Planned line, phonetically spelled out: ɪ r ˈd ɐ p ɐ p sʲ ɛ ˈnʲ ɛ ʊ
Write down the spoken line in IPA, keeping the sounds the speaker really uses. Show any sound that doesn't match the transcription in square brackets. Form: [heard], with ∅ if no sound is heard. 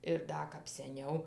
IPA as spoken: ɪ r ˈd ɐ [k] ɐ p sʲ ɛ ˈnʲ ɛ ʊ